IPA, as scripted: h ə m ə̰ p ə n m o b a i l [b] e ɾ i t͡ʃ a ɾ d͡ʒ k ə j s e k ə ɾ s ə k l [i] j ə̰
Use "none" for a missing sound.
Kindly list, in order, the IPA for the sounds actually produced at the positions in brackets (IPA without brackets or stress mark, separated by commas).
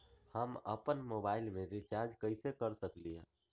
m, i